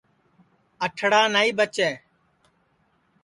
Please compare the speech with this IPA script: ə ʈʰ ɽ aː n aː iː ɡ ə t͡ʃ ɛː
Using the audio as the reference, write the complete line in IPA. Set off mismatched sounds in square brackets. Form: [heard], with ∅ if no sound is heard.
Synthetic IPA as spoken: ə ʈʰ ɽ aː n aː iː [b] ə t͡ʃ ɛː